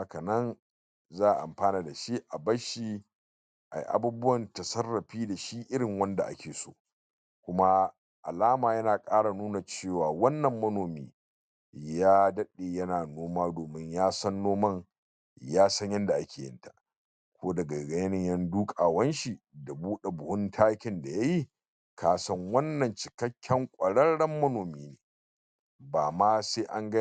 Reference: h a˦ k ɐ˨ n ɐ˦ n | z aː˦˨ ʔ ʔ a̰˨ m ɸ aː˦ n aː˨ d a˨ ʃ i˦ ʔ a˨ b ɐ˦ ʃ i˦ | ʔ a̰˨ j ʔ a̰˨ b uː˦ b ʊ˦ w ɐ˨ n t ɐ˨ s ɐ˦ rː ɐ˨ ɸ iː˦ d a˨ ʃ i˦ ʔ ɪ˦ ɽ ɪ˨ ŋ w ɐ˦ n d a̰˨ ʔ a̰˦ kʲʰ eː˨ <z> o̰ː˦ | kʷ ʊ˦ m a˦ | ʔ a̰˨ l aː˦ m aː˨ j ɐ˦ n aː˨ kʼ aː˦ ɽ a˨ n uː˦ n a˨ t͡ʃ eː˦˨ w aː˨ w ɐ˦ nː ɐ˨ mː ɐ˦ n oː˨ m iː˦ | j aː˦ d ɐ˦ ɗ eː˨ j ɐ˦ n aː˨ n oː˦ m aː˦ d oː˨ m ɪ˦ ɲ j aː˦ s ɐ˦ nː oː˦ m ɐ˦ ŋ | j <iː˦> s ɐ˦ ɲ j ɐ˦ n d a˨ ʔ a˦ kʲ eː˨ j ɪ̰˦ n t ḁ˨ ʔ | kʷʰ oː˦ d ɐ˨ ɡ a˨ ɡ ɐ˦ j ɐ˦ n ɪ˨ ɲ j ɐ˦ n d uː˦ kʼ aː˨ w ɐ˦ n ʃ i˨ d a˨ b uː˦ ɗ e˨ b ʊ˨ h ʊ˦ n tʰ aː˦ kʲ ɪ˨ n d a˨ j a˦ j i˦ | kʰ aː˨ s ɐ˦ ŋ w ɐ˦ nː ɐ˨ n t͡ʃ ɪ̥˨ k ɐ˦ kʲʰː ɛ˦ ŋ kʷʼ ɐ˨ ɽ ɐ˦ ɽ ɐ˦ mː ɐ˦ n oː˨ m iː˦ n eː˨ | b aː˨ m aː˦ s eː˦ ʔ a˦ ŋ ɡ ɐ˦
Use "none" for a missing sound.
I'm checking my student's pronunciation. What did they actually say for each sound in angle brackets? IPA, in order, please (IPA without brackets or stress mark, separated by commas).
s, aː˦